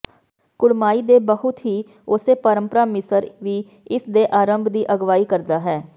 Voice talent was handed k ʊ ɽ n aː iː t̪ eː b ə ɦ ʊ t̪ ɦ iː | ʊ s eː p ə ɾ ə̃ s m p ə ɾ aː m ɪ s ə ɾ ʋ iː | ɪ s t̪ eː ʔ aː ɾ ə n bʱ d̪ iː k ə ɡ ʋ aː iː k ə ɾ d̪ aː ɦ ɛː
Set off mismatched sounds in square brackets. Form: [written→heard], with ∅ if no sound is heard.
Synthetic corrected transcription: k ʊ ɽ [n→m] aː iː [t̪→d̪] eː b ə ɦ ʊ t̪ ɦ iː | ʊ s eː p ə ɾ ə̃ [s→∅] m p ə ɾ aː m ɪ s ə ɾ ʋ iː | ɪ s [t̪→d̪] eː ʔ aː ɾ ə [n→m] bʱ d̪ iː [k→ʔ] ə ɡ ʋ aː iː k ə ɾ d̪ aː ɦ ɛː